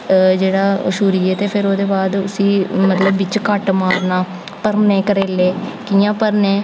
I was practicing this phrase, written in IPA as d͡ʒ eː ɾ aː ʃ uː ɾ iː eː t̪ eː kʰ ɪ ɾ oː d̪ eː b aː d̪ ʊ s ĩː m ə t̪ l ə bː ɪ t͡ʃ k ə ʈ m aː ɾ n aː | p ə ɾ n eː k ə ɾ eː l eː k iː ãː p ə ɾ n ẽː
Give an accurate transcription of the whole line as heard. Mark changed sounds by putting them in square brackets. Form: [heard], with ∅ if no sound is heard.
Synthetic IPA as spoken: d͡ʒ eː [ɽ] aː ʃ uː ɾ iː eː t̪ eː [pʰ] ɪ ɾ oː d̪ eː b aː d̪ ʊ s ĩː m ə t̪ l ə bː ɪ t͡ʃ k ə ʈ m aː ɾ n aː | p ə ɾ n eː k ə ɾ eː l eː k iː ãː p ə ɾ n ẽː